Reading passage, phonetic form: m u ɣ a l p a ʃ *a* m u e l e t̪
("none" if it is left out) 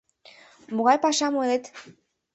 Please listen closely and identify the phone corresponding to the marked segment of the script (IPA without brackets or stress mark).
a